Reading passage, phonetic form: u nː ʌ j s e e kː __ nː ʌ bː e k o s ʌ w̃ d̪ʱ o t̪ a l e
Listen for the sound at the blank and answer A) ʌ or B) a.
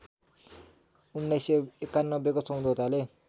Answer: B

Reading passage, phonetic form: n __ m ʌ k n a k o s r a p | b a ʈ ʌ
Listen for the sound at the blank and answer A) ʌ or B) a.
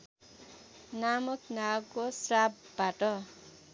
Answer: B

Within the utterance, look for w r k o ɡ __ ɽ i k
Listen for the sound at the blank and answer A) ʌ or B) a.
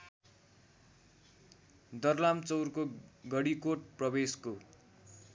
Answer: A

